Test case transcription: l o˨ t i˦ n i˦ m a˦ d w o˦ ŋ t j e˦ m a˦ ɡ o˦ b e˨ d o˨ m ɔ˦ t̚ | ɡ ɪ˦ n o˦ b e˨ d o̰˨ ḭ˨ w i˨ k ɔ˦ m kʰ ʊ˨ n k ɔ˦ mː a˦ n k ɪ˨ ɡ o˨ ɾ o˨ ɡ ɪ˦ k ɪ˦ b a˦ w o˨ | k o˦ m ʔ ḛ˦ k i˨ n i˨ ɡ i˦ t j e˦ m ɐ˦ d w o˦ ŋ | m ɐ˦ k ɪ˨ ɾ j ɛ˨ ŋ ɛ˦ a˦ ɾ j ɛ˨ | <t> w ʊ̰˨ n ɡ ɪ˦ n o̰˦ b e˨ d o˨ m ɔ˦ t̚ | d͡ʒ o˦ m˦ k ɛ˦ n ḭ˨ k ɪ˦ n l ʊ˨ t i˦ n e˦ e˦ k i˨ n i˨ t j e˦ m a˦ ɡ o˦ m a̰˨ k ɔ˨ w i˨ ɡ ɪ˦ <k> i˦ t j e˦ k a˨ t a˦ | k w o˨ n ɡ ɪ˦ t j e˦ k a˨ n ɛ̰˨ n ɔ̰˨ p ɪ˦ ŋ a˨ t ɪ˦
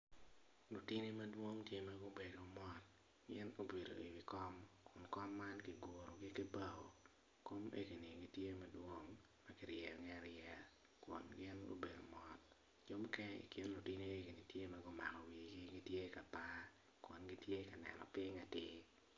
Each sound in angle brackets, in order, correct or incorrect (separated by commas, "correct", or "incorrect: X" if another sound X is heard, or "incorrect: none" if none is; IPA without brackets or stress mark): incorrect: k, incorrect: ɡ